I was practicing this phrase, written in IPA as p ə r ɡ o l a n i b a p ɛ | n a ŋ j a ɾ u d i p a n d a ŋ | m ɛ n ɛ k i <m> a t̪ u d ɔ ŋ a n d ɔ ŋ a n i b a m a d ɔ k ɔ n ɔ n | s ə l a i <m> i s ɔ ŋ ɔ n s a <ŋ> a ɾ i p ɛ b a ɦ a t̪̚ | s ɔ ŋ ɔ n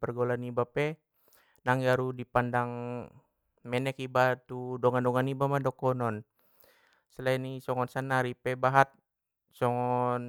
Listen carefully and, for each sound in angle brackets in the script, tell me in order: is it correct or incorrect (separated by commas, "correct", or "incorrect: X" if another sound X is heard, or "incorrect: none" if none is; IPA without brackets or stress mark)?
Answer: incorrect: b, incorrect: n, incorrect: n